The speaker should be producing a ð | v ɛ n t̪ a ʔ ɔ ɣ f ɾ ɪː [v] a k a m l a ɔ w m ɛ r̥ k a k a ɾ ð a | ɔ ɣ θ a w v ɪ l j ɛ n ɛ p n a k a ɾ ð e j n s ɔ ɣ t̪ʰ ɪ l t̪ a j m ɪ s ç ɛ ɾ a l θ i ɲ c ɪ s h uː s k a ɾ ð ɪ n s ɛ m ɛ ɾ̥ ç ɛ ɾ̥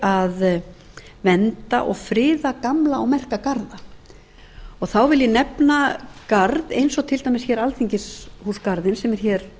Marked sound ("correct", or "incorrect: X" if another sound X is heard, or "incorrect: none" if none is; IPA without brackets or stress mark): incorrect: ð